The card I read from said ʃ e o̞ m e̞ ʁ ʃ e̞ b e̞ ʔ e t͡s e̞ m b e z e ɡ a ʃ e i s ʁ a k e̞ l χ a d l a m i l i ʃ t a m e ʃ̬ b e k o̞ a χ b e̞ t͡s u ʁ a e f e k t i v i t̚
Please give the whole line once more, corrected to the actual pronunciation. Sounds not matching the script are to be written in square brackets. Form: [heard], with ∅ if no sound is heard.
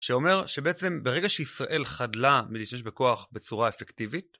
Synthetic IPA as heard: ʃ e o̞ m e̞ ʁ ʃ e̞ b e̞ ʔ e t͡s e̞ m b e [ʁ] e ɡ a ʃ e i s ʁ a [ʔ] e̞ l χ a d l a m i l i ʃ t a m e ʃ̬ b e k o̞ a χ b e̞ t͡s u ʁ a e f e k t i v i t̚